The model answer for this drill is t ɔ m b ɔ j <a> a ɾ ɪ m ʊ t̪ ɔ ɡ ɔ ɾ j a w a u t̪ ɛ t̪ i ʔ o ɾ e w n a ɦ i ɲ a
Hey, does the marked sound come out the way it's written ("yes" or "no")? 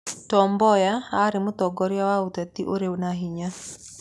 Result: yes